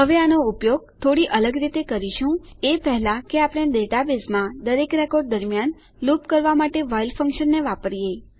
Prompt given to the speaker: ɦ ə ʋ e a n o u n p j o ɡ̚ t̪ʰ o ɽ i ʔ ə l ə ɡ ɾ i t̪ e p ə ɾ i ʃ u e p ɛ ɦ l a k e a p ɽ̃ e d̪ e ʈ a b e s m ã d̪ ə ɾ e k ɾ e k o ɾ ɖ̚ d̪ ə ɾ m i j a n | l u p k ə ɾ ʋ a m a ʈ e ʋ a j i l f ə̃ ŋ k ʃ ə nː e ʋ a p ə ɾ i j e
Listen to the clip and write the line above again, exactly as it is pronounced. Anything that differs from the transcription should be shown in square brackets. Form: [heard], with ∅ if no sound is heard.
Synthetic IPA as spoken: ɦ ə ʋ e a n o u [∅] p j o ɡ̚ t̪ʰ o ɽ i ʔ ə l ə ɡ ɾ i t̪ e [k] ə ɾ i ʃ [ũ] e p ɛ ɦ l a k e a p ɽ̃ e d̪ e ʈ a b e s m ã d̪ ə ɾ e k ɾ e k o ɾ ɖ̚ d̪ ə ɾ m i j a n | l u p k ə ɾ ʋ a m a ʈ e ʋ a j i l f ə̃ ŋ k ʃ ə nː e ʋ a p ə ɾ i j e